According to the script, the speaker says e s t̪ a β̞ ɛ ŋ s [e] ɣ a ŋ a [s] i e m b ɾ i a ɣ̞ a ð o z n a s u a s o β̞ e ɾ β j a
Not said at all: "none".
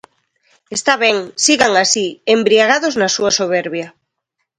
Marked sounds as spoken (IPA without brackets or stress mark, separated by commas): i, s